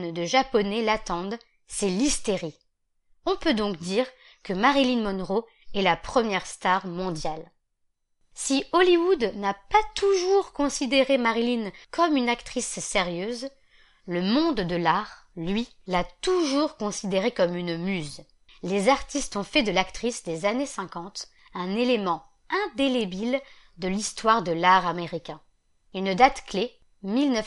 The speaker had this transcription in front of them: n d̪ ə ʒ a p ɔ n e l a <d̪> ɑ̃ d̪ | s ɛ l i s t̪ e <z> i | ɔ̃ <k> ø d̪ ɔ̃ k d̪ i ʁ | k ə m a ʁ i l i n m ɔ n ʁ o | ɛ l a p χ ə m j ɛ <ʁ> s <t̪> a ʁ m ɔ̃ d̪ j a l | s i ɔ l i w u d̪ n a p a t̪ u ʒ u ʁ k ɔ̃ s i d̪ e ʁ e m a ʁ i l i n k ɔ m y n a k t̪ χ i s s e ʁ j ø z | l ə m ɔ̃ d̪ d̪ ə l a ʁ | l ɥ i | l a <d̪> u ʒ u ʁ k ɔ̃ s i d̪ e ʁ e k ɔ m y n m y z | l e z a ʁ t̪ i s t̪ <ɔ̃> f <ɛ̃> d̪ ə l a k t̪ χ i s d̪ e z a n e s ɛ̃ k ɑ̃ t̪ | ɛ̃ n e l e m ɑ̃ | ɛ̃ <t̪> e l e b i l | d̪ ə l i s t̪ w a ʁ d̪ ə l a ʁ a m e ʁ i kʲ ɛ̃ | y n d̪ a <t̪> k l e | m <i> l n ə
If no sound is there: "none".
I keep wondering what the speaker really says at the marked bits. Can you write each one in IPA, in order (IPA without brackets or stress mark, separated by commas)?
t̪, ʁ, p, ʁ, t̪, t̪, ɔ̃, ɛ, d̪, t̪, i